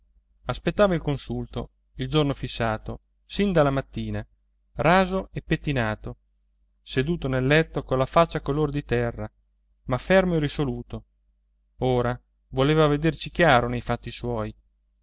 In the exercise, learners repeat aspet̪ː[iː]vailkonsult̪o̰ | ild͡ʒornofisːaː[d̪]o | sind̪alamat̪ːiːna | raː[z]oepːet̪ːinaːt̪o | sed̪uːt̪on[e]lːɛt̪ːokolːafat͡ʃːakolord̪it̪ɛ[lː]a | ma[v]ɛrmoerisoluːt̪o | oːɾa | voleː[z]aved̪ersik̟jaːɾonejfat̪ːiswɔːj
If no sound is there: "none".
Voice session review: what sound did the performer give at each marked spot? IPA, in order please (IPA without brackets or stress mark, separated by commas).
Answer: aː, t̪, z, e, rː, f, v